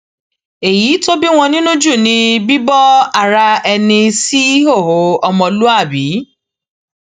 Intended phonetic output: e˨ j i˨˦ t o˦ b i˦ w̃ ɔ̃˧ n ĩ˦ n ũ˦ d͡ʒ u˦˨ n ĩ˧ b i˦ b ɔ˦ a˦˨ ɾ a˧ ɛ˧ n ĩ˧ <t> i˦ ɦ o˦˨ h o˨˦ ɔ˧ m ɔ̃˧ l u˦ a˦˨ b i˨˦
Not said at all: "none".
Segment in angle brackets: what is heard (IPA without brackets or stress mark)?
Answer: s